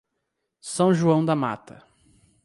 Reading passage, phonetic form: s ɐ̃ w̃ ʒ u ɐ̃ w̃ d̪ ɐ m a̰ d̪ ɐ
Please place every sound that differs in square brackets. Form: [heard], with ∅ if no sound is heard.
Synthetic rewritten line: s ɐ̃ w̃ ʒ u ɐ̃ w̃ d̪ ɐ m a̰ [t̪] ɐ